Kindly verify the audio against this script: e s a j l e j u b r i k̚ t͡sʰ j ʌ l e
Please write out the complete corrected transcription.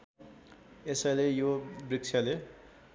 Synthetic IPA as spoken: e s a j l e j o b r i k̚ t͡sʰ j a l e